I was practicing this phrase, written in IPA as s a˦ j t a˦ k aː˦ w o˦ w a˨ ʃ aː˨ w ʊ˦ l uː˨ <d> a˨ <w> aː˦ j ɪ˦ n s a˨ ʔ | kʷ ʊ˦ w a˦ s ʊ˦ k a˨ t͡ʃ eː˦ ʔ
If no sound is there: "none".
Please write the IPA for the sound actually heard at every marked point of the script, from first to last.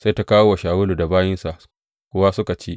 d, b

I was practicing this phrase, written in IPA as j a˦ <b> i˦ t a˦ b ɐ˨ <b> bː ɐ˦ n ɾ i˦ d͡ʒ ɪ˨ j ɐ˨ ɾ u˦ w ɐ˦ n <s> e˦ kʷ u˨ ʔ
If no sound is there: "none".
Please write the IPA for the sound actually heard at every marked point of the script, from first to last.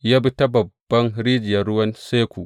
b, b, s

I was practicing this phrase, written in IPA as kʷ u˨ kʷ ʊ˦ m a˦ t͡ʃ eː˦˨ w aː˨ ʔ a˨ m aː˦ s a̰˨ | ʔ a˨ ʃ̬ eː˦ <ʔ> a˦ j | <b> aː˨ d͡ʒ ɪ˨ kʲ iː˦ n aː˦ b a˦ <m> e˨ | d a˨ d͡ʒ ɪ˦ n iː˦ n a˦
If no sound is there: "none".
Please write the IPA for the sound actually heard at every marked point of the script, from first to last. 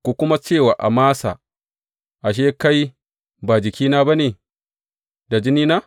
k, b, n

